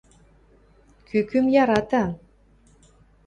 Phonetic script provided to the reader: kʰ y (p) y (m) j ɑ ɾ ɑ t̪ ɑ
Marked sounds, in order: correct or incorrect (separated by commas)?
incorrect, correct